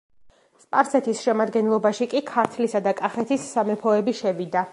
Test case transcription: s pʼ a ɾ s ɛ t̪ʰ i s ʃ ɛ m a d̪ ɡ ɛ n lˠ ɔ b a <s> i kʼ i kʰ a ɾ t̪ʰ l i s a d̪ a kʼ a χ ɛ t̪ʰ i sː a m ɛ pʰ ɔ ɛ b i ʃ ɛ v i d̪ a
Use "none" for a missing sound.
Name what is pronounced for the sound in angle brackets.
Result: ʃ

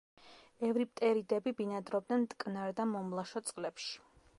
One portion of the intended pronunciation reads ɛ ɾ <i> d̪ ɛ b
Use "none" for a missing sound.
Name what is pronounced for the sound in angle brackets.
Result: i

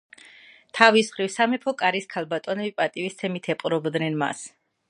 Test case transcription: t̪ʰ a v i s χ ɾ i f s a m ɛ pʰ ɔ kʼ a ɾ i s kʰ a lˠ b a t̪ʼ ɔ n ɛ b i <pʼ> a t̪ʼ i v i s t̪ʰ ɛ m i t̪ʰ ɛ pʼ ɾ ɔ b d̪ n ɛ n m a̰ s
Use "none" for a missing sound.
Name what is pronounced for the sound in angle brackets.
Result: pʼ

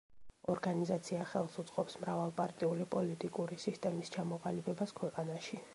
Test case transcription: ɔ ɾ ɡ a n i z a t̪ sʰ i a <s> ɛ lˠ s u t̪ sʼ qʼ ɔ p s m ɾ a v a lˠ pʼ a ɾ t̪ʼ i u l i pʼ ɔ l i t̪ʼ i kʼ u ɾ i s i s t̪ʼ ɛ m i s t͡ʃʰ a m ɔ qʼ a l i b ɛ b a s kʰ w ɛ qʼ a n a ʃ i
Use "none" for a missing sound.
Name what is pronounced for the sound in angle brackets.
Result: χ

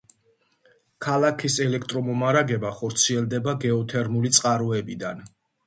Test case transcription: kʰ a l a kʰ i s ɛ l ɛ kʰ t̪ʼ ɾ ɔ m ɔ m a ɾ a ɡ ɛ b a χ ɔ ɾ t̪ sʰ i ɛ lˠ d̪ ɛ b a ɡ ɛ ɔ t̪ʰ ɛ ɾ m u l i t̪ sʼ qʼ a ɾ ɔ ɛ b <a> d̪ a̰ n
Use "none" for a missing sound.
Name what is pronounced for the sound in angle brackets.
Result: i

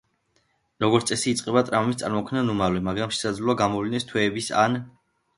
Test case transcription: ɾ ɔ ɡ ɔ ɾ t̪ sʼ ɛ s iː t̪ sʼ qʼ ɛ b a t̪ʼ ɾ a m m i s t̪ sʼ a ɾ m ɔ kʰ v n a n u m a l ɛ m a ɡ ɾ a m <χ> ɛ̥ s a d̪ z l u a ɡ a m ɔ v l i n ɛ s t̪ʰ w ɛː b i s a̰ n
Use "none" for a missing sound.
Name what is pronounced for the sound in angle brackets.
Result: ʃ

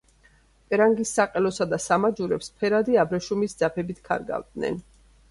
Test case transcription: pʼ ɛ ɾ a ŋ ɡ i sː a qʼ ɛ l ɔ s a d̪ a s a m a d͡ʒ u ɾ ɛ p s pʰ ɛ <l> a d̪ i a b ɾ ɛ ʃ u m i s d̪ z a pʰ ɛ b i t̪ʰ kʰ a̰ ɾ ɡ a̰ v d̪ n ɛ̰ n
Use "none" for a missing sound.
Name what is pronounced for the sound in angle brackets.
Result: ɾ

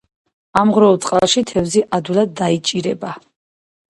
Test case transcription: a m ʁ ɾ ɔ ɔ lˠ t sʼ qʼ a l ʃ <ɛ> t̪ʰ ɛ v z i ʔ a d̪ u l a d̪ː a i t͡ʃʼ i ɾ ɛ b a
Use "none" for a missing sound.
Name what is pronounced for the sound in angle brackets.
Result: i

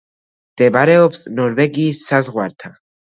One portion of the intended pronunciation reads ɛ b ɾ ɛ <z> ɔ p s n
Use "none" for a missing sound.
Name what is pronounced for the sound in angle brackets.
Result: none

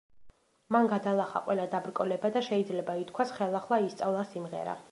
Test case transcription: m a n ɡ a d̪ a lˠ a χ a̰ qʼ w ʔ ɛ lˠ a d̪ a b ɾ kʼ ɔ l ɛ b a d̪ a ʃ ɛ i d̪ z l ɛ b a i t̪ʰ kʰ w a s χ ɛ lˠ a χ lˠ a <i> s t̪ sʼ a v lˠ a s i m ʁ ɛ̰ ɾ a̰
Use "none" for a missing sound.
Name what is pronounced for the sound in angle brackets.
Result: i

